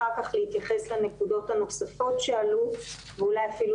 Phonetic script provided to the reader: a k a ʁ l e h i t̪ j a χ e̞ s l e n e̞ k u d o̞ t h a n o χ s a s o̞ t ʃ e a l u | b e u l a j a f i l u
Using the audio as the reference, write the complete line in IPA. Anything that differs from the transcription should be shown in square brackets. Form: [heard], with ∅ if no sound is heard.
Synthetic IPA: a k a [χ] l e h i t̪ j a χ e̞ s l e n e̞ k u d o̞ t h a n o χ s a [f] o̞ t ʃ e a l u | [v] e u l a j a f i l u